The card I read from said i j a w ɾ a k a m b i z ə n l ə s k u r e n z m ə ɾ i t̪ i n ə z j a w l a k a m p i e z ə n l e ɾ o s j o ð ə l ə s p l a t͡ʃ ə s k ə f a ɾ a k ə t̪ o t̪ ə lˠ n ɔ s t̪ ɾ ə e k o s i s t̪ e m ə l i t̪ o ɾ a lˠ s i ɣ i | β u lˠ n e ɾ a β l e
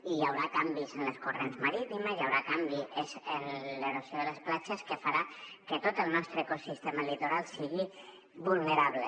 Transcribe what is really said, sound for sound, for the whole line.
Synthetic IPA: i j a w ɾ a k a m b i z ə n l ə s k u r e n z m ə ɾ i t̪ i m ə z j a w ɾ a k a m b i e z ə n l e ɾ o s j o ð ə l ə s p l a t͡ʃ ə s k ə f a ɾ a k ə t̪ o t̪ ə lˠ n ɔ s t̪ ɾ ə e k o s i s t̪ e m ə l i t̪ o ɾ a lˠ s i ɣ i | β u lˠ n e ɾ a β l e